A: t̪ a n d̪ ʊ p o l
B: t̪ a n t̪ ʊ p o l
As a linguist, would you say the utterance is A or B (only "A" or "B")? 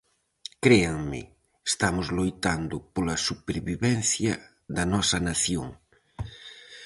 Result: A